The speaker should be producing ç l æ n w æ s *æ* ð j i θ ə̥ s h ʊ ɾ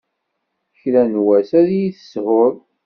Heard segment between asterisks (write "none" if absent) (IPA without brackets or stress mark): æ